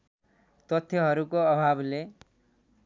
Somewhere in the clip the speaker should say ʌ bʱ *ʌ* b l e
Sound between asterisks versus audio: incorrect: a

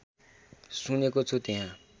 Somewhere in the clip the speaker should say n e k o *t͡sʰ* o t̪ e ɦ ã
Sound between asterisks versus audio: correct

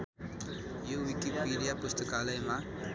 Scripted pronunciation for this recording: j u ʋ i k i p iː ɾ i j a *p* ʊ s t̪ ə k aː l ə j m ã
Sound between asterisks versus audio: correct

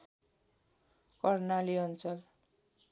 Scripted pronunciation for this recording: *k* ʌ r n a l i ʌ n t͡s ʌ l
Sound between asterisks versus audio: correct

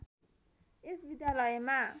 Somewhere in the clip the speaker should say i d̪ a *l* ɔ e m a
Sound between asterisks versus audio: correct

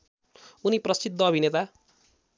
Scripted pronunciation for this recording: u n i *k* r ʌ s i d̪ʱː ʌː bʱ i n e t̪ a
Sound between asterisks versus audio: incorrect: p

